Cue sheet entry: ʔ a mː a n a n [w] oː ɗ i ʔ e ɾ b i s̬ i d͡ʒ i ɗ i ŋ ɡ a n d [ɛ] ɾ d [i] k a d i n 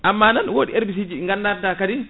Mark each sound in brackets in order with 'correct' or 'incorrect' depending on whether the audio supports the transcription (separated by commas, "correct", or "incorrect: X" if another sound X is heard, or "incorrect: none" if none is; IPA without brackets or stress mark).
correct, incorrect: a, incorrect: a